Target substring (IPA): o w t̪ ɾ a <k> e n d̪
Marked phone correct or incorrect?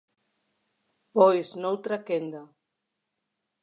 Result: correct